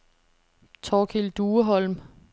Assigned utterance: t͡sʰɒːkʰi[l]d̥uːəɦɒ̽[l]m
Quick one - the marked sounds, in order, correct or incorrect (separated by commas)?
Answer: correct, correct